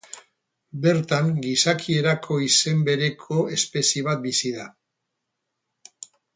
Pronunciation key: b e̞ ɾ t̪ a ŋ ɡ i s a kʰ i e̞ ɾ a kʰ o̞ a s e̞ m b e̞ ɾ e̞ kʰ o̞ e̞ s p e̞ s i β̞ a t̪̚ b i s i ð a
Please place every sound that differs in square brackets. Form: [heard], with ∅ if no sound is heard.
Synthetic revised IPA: b e̞ ɾ t̪ a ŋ ɡ i s a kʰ i e̞ ɾ a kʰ o̞ [i] s e̞ m b e̞ ɾ e̞ kʰ o̞ e̞ s p e̞ s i β̞ a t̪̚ b i s i ð a